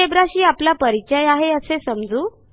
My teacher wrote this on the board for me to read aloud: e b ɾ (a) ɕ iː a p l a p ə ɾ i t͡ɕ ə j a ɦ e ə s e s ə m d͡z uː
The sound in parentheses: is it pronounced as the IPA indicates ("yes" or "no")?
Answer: yes